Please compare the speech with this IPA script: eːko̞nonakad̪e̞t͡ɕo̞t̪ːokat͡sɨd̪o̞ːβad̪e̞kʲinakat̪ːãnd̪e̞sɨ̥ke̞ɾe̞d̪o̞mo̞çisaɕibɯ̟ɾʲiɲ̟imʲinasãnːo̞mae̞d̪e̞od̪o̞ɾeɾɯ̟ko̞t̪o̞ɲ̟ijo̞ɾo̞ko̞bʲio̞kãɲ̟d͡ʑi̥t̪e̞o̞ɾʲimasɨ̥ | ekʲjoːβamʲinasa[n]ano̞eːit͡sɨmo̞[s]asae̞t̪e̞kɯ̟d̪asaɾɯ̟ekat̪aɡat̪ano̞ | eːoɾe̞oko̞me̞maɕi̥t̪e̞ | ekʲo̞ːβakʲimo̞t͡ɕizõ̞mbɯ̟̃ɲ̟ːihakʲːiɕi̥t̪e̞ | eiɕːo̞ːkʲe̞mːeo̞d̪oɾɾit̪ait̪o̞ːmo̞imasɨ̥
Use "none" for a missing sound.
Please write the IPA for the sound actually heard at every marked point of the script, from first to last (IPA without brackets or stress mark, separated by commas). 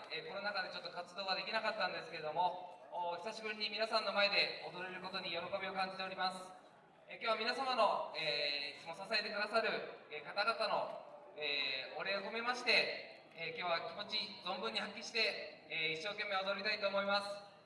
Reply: m, s